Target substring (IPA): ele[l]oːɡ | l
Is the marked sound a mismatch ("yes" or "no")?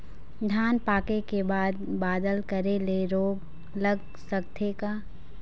yes